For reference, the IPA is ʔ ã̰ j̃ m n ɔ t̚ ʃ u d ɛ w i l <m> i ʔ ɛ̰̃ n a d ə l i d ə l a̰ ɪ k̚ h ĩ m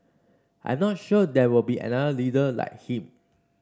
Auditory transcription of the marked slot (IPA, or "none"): b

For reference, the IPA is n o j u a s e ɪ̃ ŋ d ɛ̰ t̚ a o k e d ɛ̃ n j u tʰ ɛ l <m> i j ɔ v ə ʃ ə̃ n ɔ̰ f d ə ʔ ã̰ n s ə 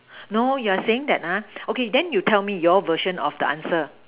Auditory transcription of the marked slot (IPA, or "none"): m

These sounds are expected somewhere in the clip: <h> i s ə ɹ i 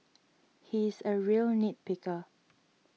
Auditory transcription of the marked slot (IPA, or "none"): h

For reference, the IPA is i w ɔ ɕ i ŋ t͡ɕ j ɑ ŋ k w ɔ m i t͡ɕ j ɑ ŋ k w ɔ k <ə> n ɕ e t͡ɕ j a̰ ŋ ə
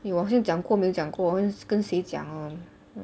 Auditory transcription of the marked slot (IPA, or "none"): ə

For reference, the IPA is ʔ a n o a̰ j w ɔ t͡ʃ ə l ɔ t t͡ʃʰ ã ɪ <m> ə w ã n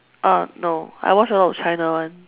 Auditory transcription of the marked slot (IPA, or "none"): n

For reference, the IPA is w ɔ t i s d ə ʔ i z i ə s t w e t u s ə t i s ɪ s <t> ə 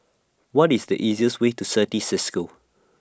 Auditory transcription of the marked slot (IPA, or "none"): k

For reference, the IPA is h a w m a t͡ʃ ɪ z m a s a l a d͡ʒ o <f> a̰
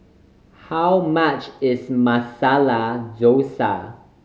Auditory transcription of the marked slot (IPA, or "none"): s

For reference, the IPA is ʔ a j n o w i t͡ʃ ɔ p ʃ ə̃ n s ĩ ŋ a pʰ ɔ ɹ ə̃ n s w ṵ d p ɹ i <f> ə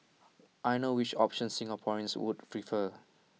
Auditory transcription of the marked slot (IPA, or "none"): f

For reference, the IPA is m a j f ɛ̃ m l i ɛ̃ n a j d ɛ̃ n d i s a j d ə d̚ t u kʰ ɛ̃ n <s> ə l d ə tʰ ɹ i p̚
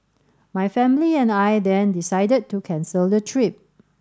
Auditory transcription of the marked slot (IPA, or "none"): s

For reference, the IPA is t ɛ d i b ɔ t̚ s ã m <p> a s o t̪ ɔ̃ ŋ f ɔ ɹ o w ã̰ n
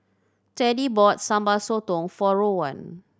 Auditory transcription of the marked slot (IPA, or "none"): b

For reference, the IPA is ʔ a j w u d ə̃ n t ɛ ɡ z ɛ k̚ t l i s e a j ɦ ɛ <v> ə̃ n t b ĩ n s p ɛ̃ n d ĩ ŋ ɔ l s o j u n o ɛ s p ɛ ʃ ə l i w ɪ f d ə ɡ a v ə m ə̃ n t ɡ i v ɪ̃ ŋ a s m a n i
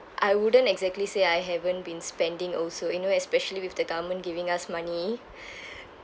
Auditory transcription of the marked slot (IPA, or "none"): v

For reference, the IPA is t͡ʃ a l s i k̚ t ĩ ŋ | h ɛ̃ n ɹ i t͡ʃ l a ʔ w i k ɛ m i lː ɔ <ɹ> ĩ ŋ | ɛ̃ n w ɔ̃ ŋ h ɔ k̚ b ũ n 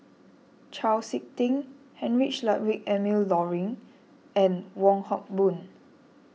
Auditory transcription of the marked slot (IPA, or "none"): ɹ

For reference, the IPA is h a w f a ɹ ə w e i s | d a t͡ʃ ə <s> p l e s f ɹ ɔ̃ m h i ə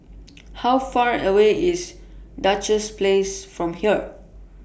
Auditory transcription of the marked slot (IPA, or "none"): s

